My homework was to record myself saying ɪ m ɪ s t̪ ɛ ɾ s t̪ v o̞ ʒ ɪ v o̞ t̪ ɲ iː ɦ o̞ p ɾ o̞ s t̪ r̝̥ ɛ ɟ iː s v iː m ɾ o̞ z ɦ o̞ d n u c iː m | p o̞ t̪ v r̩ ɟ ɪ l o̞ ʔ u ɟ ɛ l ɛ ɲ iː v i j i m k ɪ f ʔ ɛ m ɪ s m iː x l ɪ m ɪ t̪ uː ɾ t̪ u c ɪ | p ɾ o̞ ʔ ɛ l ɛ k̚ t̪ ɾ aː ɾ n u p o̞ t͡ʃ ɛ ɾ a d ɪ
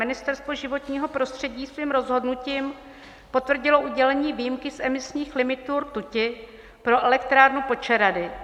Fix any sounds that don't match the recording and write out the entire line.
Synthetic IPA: ɪ n ɪ s t̪ ɛ ɾ s t̪ v o̞ ʒ ɪ v o̞ t̪ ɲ iː ɦ o̞ p ɾ o̞ s t̪ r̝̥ ɛ ɟ iː s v iː m ɾ o̞ z ɦ o̞ d n u c iː m | p o̞ t̪ v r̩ ɟ ɪ l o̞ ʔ u ɟ ɛ l ɛ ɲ iː v i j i m k ɪ s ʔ ɛ m ɪ s ɲ iː x l ɪ m ɪ t̪ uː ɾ t̪ u c ɪ | p ɾ o̞ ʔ ɛ l ɛ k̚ t̪ ɾ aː ɾ n u p o̞ t͡ʃ ɛ ɾ a d ɪ